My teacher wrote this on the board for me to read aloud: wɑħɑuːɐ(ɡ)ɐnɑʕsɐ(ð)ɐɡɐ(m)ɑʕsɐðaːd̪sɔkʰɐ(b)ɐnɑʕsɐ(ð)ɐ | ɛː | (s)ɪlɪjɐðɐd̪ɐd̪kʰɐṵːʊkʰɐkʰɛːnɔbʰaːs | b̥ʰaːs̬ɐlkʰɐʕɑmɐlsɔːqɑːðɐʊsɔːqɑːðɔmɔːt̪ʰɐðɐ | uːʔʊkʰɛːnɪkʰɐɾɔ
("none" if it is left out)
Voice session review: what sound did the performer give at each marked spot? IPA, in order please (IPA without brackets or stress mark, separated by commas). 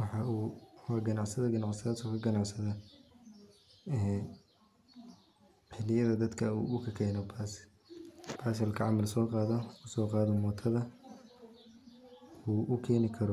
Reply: ɡ, ð, n, ɡ, ð, ħ